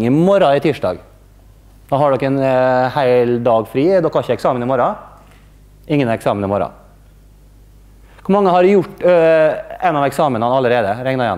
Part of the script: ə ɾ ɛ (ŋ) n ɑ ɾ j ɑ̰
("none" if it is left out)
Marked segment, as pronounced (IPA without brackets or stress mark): ŋ